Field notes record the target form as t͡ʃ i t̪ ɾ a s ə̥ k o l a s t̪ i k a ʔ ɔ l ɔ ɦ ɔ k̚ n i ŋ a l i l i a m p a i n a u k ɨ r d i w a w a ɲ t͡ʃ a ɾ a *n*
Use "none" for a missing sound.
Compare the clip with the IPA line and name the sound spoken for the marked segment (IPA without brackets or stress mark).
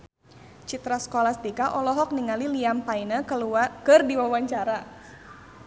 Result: none